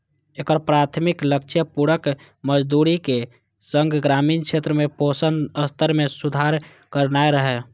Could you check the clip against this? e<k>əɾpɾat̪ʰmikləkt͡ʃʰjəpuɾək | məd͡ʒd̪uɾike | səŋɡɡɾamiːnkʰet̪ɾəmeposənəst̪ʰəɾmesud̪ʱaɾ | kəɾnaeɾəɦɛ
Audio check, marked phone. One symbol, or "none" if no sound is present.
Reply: k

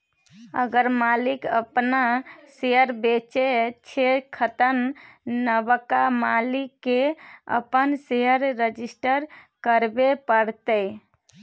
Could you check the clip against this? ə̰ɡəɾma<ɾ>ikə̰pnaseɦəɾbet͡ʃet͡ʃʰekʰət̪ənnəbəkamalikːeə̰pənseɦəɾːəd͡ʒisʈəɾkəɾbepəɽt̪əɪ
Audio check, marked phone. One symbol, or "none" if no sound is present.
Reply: l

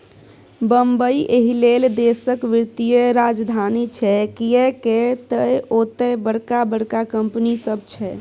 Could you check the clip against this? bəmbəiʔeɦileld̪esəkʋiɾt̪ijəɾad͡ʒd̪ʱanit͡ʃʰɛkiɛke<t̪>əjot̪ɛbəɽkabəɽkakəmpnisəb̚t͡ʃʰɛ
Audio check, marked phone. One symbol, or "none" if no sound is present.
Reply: t̪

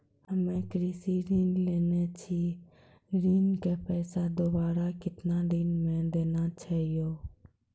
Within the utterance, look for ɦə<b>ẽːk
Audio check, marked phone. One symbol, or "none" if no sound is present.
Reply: m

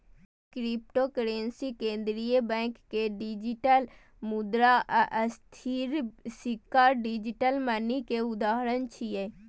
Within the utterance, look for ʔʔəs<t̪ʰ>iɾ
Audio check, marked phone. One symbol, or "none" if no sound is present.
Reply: t̪ʰ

